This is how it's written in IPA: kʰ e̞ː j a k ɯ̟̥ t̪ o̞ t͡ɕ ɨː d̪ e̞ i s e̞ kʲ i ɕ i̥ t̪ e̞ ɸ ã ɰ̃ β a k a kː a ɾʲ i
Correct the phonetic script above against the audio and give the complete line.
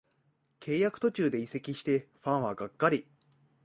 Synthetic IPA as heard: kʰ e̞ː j a k ɯ̟̥ t̪ o̞ t͡ɕ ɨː d̪ e̞ i s e̞ kʲ i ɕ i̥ t̪ e̞ ɸ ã ɰ̃ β a ɡ a kː a ɾʲ i